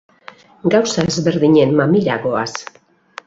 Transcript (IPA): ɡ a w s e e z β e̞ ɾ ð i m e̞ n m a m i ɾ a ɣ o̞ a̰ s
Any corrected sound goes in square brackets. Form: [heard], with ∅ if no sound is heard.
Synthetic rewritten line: ɡ a w s [a] e z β e̞ ɾ ð i [ɲ] e̞ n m a m i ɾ a ɣ o̞ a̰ s